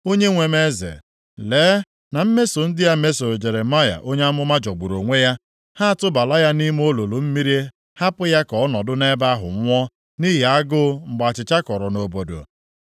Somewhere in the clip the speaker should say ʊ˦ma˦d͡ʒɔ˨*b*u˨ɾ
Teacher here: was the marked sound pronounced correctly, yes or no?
no